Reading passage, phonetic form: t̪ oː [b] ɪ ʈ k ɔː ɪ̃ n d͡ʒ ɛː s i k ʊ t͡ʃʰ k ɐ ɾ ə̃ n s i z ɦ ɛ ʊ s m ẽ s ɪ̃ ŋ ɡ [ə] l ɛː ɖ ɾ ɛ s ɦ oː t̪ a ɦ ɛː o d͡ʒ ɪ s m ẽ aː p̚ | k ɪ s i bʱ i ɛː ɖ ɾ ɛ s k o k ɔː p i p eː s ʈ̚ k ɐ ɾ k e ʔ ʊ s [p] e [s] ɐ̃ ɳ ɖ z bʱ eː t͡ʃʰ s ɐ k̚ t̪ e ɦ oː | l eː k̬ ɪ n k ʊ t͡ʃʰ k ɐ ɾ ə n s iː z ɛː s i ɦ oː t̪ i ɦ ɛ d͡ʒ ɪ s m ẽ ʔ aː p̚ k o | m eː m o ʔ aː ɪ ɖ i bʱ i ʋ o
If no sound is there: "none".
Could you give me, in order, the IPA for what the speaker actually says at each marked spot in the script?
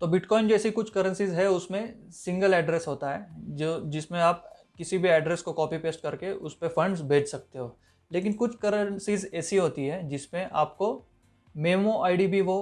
b, ə, p, f

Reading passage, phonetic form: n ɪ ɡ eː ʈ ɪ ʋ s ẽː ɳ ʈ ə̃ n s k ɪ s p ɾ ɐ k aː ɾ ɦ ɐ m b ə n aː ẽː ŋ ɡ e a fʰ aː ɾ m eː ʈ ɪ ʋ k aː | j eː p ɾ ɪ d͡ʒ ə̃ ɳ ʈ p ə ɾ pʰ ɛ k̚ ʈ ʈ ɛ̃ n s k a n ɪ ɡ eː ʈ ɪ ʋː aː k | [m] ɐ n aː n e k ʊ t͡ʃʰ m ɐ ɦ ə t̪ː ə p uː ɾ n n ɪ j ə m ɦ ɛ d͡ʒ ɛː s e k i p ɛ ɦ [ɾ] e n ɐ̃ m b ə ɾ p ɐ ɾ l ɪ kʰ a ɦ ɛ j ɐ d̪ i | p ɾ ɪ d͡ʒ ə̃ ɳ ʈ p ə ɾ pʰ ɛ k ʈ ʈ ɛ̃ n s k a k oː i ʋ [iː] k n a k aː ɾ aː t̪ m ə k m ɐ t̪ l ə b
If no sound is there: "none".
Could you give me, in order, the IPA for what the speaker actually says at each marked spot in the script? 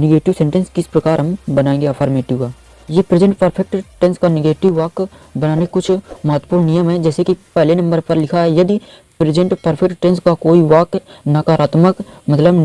b, l, aː

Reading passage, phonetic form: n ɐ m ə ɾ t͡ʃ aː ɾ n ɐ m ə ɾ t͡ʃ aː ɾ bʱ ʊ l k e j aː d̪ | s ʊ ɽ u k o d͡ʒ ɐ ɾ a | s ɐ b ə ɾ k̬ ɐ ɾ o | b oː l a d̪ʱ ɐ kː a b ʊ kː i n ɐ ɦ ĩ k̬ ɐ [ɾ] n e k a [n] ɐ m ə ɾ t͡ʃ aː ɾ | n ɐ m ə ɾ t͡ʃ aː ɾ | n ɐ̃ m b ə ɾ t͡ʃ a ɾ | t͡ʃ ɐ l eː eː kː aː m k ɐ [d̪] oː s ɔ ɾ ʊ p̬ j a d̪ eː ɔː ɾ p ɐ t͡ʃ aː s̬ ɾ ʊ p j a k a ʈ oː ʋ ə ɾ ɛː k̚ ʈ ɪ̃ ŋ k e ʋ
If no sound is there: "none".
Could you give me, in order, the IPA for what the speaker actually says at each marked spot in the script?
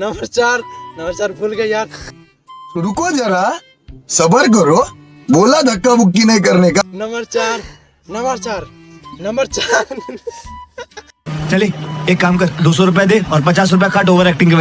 ɾ, n, d̪

